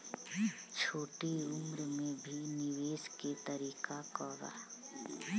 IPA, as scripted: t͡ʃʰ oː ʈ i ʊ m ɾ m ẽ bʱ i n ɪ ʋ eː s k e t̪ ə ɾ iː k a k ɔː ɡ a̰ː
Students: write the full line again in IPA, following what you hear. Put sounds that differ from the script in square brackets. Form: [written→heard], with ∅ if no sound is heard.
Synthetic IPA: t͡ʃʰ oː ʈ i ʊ m ɾ m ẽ bʱ i n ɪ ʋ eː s k e t̪ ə ɾ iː k a k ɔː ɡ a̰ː